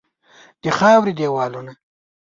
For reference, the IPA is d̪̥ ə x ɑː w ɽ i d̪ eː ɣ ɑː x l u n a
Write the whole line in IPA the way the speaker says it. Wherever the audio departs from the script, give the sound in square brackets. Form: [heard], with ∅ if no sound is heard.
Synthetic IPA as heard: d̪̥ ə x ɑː w [ɾ] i d̪ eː [w] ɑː [∅] l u n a